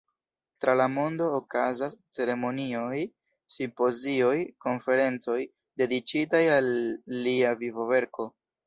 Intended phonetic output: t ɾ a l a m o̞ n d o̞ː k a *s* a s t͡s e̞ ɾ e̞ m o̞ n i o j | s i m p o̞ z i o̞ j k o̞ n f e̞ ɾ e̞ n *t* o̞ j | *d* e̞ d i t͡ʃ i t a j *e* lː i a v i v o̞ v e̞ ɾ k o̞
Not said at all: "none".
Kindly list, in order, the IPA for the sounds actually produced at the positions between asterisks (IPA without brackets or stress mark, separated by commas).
z, t͡s, d, a